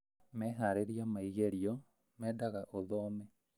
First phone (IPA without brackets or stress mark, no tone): m